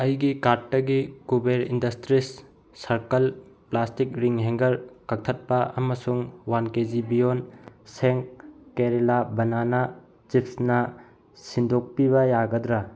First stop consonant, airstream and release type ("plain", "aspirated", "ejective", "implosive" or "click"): plain